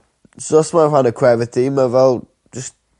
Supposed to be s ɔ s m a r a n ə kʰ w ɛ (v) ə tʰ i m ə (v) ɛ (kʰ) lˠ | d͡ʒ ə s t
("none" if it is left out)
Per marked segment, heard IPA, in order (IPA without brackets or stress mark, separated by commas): v, v, none